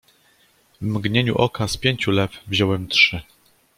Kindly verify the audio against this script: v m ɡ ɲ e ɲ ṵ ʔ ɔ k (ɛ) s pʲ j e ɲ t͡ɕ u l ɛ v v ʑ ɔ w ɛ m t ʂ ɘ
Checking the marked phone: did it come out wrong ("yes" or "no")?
yes